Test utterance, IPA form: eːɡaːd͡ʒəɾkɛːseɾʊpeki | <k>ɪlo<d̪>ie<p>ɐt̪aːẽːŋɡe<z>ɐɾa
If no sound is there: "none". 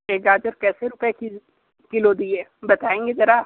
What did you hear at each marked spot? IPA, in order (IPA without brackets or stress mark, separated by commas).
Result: k, d̪, b, z